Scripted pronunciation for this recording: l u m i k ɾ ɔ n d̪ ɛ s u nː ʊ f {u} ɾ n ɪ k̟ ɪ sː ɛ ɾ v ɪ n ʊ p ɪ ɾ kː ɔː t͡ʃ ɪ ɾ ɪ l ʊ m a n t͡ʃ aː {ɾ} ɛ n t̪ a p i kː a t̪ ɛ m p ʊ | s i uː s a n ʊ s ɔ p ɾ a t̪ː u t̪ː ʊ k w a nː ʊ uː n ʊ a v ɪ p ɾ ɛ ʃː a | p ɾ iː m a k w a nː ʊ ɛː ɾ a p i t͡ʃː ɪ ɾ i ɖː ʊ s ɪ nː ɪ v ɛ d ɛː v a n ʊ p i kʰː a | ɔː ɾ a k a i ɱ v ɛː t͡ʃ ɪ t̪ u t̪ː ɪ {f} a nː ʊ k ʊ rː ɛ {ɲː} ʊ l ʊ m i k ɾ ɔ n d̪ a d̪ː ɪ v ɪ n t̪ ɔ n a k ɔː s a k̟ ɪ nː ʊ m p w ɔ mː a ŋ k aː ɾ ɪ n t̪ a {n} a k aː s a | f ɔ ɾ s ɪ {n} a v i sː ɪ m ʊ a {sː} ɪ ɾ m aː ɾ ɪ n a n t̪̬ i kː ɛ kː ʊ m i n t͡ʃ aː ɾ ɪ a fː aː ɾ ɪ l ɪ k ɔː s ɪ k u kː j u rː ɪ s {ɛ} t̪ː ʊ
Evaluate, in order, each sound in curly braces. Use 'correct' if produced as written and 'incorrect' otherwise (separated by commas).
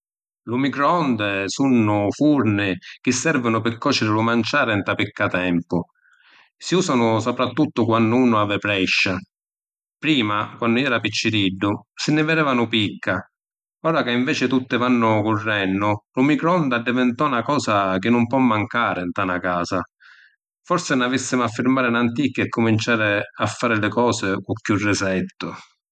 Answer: correct, correct, incorrect, incorrect, correct, correct, incorrect, correct